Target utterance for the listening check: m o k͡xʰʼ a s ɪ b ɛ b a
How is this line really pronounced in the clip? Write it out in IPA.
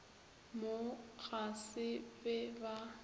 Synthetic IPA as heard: m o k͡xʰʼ a s ɪ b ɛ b a

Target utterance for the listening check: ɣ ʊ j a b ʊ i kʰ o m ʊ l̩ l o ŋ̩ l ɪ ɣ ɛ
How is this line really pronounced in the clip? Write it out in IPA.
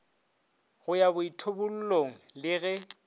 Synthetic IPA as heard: ɣ ʊ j a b ʊ i tʰ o b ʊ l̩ l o ŋ̩ l ɪ ɣ ɛ

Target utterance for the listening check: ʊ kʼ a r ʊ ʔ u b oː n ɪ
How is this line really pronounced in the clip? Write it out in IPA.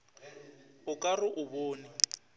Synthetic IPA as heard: ʊ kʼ a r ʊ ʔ ʊ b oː n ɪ

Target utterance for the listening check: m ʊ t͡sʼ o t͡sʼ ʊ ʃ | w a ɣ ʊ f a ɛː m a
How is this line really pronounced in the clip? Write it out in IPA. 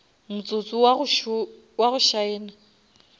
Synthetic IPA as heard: m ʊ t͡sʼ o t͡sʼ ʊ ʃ | w a ɣ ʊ ʃ a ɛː n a

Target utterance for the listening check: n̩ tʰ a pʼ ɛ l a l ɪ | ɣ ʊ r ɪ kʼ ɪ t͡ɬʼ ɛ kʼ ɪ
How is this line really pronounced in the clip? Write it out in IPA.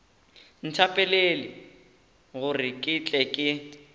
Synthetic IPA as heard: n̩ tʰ a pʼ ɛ l e l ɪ | ɣ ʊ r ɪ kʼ ɪ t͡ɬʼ ɛ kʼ ɪ

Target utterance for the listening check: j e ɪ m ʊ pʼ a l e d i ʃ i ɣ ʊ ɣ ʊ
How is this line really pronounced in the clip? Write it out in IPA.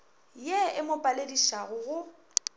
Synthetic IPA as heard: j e ɪ m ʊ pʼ a l e d i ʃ a ɣ ʊ ɣ ʊ

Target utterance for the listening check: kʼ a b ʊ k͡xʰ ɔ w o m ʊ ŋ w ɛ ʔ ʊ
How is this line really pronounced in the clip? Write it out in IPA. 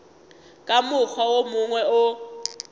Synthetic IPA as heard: kʼ a m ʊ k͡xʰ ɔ w o m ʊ ŋ w ɛ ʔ ʊ

